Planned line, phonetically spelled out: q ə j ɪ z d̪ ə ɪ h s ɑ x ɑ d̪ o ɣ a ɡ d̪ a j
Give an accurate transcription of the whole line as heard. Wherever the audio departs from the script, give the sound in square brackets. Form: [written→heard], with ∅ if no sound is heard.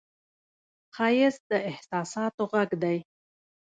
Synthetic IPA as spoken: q [ə→ɑ] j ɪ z d̪ ə ɪ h s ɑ [x→s] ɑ [d̪→t̪] o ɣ a ɡ d̪ a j